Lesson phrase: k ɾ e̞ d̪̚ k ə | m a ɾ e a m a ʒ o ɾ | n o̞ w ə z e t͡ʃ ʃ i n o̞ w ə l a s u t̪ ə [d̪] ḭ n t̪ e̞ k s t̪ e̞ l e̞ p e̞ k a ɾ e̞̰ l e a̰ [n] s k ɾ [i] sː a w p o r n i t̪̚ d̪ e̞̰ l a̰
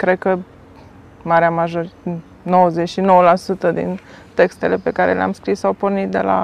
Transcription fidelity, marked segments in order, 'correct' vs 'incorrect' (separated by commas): correct, incorrect, correct